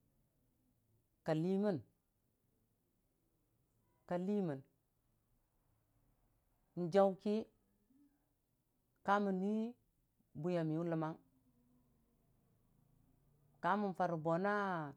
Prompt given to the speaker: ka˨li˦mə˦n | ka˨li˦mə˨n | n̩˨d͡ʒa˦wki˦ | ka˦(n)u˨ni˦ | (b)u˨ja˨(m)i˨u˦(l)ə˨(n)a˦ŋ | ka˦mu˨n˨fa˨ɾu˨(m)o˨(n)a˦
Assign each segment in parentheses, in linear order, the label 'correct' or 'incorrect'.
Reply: incorrect, correct, correct, correct, incorrect, incorrect, correct

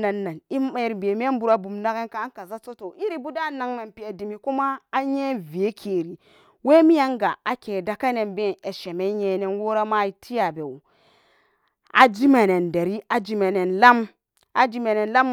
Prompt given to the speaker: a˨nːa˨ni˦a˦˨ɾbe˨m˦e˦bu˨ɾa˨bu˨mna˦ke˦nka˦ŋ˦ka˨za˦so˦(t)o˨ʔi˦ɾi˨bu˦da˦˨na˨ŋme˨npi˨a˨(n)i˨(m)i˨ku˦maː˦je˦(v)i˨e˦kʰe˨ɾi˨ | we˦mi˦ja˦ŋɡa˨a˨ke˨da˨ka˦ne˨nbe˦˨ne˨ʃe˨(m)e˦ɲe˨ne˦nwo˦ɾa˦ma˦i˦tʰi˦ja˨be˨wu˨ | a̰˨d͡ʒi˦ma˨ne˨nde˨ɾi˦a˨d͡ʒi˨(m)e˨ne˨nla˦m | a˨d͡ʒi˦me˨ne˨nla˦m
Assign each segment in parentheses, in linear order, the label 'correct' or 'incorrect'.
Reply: correct, incorrect, correct, correct, correct, correct

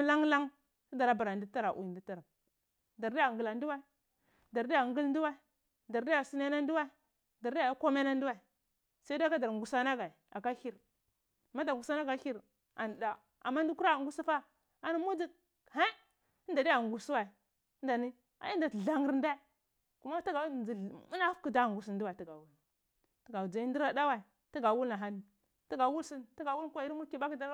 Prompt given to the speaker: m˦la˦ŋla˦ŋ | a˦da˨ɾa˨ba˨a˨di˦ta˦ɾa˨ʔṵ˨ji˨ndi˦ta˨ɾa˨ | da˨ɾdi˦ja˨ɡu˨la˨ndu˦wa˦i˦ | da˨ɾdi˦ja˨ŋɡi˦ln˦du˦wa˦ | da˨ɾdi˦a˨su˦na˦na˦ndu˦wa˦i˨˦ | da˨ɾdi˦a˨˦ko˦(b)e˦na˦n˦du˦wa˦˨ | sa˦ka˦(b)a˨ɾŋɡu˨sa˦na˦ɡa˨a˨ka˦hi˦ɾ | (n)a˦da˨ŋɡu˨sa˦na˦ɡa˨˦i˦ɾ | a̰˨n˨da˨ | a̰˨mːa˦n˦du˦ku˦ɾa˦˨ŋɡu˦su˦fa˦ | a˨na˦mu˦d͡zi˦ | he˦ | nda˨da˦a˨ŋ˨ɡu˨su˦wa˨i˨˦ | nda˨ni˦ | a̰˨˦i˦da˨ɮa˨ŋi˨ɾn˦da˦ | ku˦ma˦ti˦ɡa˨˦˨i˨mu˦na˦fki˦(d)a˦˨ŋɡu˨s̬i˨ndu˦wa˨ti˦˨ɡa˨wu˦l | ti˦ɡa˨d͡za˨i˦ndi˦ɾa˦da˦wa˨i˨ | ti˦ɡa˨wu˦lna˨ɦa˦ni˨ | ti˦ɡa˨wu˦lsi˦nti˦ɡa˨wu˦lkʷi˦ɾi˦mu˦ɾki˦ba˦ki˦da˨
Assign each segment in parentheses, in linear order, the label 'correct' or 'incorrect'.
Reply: incorrect, incorrect, incorrect, correct

